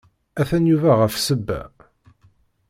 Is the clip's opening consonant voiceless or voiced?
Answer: voiceless